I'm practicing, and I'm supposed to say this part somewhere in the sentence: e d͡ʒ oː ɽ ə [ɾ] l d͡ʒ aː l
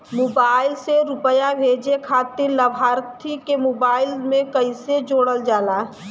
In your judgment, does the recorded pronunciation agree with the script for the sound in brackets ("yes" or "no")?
no